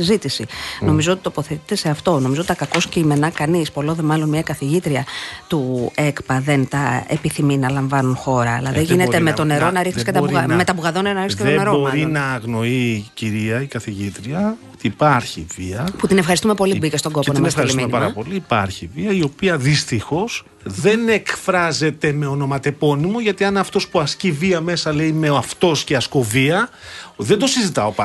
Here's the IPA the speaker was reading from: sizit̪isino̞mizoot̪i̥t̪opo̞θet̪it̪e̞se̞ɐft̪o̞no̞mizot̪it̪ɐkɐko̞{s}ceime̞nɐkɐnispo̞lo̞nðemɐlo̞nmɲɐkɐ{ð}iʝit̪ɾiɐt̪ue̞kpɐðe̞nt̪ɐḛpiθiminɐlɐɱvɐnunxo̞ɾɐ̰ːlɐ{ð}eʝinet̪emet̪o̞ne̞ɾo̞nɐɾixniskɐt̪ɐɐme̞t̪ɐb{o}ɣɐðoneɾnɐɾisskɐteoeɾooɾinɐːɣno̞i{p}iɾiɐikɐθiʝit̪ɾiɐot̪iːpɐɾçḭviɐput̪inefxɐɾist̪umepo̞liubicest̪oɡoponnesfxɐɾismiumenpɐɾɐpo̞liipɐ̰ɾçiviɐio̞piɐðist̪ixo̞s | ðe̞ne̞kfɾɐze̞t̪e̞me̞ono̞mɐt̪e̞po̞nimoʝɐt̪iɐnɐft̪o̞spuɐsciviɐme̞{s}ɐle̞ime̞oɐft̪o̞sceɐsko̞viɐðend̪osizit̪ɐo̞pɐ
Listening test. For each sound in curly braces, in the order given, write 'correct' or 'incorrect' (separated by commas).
correct, incorrect, correct, incorrect, incorrect, correct